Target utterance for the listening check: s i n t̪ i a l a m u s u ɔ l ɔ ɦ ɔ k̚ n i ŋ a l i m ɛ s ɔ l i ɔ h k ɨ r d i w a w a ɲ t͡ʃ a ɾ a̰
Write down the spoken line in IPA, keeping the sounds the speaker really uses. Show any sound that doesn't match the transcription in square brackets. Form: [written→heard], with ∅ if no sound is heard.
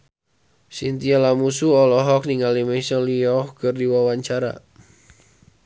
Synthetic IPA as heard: s i n t̪ i a l a m u s u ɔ l ɔ ɦ ɔ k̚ n i ŋ a l i m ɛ s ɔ l i ɔ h k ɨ r d i w a w a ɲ t͡ʃ a ɾ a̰